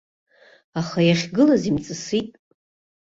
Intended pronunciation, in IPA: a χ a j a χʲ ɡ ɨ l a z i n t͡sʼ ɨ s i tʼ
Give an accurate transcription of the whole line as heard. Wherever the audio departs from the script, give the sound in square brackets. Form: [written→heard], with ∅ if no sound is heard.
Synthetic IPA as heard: a χ a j a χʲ ɡ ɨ l a z i [n→m] t͡sʼ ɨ s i tʼ